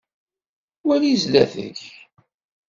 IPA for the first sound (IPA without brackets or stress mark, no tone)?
w